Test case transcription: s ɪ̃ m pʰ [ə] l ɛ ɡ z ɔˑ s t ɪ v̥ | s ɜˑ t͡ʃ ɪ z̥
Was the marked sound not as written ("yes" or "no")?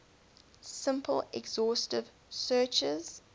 no